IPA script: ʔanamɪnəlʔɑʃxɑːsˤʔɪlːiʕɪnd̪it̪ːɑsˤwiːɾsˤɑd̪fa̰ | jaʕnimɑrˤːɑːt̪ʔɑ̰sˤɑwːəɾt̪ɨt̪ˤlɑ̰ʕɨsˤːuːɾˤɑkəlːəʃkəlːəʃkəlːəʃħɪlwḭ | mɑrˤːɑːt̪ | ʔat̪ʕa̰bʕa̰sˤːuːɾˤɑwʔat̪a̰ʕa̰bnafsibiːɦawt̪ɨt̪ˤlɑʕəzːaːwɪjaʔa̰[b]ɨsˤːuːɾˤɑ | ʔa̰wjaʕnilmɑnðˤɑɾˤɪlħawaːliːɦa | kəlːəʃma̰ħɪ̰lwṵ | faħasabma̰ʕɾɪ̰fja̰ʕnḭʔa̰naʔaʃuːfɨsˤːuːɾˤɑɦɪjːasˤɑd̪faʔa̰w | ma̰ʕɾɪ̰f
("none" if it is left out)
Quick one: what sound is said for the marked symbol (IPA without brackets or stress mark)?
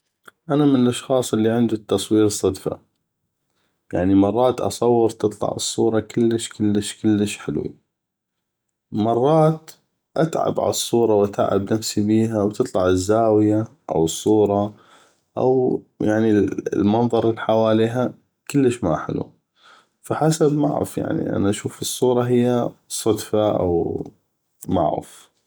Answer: w